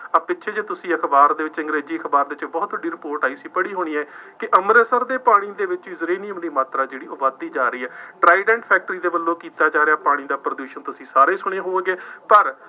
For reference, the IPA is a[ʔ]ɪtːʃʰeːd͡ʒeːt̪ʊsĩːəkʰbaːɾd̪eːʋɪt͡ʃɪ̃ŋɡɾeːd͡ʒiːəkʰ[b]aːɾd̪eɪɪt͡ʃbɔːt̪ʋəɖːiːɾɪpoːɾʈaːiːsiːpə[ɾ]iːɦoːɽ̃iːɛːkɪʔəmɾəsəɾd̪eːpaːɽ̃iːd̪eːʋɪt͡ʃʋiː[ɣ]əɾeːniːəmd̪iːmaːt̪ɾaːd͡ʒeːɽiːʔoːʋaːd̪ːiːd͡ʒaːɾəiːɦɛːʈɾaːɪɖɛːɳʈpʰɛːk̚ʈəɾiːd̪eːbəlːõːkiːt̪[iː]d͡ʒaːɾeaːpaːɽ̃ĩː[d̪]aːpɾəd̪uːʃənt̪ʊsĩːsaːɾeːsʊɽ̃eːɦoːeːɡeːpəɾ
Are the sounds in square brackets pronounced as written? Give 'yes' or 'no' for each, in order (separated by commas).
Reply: no, yes, no, no, no, yes